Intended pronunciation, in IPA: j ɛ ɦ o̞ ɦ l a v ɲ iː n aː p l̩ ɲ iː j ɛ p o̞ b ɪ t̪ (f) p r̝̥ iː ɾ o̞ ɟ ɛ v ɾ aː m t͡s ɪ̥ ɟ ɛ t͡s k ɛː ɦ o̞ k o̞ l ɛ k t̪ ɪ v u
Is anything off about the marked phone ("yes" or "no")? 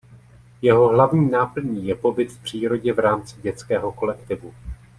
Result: no